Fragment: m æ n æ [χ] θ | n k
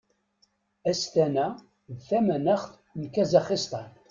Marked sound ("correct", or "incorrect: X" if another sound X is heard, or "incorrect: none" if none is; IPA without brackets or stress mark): correct